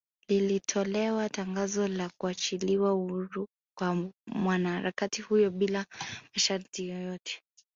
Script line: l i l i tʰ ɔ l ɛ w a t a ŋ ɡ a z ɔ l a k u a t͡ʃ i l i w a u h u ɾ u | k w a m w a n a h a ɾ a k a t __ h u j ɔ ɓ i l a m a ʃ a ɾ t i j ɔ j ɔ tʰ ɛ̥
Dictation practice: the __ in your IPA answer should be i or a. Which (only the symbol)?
i